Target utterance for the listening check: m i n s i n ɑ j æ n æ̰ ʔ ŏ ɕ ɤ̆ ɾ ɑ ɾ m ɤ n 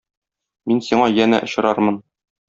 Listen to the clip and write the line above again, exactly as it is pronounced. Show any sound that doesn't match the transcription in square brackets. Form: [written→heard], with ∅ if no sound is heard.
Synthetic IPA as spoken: m i n s i [n→ɴ] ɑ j æ n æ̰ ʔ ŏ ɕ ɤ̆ ɾ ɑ ɾ m ɤ n